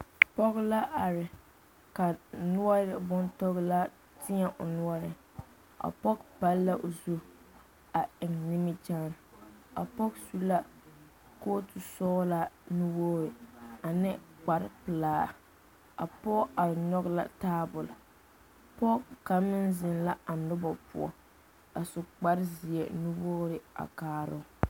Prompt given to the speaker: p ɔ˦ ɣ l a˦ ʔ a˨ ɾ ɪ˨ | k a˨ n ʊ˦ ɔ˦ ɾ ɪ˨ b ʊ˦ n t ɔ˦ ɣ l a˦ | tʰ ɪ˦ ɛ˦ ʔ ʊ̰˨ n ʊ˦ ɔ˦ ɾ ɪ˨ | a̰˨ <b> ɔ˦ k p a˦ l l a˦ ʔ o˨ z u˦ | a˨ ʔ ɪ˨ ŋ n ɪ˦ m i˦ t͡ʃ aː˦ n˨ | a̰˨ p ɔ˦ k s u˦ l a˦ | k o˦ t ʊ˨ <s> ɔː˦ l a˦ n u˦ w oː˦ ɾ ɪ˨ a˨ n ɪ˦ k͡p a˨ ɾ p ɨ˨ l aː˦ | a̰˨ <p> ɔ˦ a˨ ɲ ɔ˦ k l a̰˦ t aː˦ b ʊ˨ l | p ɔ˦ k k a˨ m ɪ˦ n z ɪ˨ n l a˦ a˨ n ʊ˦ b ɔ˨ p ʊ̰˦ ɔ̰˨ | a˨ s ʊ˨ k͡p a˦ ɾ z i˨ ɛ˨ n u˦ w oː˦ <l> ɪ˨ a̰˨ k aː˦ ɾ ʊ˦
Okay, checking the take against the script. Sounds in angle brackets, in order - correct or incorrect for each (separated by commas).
incorrect, correct, correct, incorrect